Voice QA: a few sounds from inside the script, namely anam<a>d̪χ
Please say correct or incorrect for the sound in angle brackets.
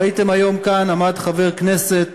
correct